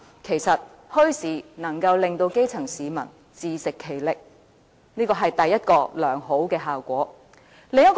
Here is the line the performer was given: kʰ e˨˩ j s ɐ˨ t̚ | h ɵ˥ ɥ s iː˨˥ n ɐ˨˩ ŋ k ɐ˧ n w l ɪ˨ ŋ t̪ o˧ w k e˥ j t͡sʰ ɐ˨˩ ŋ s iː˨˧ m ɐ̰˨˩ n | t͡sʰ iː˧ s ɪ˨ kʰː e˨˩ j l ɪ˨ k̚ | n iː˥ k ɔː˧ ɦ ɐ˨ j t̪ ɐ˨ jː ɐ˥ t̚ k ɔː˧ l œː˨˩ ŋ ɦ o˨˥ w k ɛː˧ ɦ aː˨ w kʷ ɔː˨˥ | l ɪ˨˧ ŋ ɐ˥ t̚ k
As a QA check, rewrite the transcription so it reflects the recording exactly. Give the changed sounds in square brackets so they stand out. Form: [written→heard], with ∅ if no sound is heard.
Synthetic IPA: kʰ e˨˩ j s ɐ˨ t̚ | h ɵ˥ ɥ s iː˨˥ n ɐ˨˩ ŋ k ɐ˧ [n→∅] w l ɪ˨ ŋ t̪ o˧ w k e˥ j t͡sʰ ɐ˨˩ ŋ s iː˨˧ m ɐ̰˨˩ n | [t͡sʰ→t͡s] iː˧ s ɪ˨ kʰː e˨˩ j l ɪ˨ k̚ | n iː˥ k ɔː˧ ɦ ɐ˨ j t̪ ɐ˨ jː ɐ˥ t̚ k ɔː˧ l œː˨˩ ŋ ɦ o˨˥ w k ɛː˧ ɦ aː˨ w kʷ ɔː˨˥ | l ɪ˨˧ ŋ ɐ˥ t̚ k